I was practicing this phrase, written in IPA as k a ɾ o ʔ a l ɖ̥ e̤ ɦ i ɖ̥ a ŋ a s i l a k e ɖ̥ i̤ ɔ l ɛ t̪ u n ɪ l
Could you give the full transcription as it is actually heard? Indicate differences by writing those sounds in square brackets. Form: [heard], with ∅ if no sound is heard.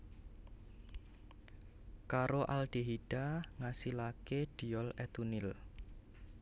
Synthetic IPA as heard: k a ɾ o ʔ a l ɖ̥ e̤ ɦ i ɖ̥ a ŋ a s i l a k e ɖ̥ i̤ ɔ l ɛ t̪ u n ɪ l